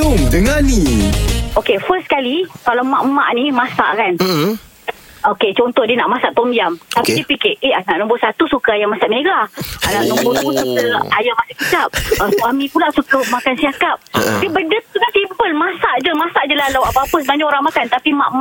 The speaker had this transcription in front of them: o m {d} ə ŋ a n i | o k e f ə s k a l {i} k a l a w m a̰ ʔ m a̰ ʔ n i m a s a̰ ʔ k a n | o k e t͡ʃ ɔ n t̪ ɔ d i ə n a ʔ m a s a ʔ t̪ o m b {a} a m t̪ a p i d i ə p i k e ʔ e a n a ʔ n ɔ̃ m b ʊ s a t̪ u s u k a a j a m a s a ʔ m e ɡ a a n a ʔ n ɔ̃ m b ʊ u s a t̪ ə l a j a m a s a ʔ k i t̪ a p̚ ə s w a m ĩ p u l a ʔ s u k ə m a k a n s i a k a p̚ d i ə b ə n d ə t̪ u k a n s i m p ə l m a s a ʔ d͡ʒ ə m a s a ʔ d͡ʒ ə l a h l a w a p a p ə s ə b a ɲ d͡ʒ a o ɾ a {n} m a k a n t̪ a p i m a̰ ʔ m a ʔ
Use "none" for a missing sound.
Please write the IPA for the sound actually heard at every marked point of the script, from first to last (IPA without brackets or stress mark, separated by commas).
d, i, i, ŋ